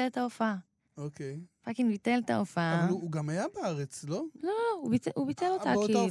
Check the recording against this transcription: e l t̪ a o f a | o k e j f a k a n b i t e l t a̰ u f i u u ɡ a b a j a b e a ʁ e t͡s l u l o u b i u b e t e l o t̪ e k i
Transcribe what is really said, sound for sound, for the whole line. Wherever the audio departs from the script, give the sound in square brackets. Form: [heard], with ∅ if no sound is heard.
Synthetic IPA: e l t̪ a o f a | o k e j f a k [i] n b i t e l t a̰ [o] f [a] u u ɡ a [m] a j a b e a ʁ e t͡s l [o] l o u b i u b [i] t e l o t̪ [a] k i